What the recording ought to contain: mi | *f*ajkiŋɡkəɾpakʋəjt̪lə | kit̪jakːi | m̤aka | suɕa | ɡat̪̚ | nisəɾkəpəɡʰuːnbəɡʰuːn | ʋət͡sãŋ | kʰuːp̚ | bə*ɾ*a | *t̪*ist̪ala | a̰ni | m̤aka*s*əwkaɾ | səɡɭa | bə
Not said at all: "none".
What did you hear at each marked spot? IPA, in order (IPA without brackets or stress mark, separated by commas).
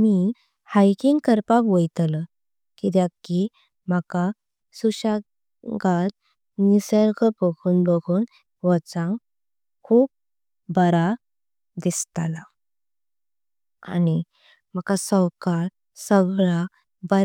h, ɾ, d̪, s